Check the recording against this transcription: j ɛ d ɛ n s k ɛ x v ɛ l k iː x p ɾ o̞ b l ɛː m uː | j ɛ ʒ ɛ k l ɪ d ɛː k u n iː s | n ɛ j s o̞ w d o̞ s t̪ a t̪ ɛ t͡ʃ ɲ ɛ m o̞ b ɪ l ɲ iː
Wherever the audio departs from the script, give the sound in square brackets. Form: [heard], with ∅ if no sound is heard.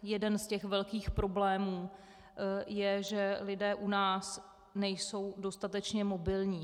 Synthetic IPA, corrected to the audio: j ɛ d ɛ n s [c] ɛ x v ɛ l k iː x p ɾ o̞ b l ɛː m uː | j ɛ ʒ ɛ [∅] l ɪ d ɛː [ʔ] u n [aː] s | n ɛ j s o̞ w d o̞ s t̪ a t̪ ɛ t͡ʃ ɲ ɛ m o̞ b ɪ l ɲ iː